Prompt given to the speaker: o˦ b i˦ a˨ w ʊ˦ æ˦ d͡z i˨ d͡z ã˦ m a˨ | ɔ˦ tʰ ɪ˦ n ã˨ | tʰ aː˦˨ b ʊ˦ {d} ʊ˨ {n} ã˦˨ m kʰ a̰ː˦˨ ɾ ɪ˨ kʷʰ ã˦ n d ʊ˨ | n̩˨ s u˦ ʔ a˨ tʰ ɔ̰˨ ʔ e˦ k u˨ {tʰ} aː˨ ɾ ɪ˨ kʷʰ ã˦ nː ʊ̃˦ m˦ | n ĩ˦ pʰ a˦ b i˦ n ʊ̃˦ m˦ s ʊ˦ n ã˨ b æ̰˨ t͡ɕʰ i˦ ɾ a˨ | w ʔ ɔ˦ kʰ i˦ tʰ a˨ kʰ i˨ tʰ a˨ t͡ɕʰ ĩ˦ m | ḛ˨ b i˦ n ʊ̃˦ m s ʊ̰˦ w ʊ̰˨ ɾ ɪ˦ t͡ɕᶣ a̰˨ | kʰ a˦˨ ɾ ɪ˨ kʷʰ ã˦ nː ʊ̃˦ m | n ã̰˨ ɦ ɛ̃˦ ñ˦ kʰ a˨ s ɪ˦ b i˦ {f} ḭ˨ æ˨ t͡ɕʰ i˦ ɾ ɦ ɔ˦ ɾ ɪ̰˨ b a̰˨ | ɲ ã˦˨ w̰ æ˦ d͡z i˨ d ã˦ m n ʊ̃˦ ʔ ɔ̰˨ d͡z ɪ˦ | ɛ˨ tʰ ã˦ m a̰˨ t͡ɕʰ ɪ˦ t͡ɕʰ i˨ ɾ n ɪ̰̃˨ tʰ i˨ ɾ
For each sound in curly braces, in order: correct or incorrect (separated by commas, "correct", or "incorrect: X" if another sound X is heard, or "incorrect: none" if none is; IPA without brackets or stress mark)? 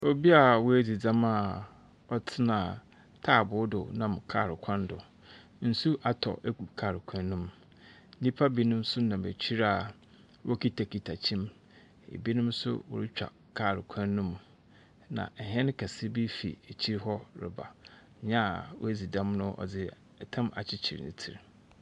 correct, correct, incorrect: kʰ, correct